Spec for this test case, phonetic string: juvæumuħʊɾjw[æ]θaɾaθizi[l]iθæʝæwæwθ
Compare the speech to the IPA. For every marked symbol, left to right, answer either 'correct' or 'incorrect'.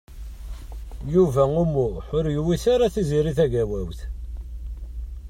incorrect: i, incorrect: ɾ

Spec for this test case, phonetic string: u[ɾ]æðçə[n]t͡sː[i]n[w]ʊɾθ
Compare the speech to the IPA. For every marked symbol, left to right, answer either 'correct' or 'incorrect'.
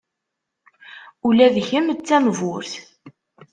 incorrect: l, incorrect: m, incorrect: æ, incorrect: v

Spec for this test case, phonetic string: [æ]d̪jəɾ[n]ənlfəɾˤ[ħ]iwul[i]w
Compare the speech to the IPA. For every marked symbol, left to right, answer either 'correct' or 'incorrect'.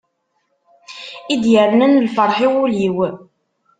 incorrect: i, correct, correct, correct

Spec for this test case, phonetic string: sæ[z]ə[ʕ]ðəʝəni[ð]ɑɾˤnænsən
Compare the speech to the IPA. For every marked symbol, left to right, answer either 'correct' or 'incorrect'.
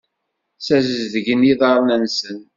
correct, incorrect: z, correct

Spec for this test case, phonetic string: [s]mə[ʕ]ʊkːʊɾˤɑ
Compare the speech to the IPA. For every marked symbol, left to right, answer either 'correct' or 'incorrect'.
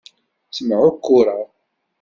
correct, correct

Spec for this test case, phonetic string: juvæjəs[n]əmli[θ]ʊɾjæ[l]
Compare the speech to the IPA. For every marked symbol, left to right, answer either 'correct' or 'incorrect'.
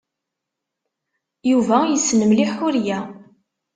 correct, incorrect: ħ, incorrect: none

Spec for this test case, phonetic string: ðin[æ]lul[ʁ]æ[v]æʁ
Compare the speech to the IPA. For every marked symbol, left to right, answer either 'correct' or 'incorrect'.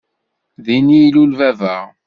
incorrect: i, incorrect: v, correct

